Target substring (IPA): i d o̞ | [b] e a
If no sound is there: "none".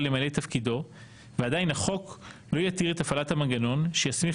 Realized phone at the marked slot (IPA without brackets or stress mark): v